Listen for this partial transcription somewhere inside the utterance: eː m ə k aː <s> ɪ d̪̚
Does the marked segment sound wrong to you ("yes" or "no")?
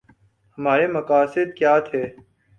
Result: no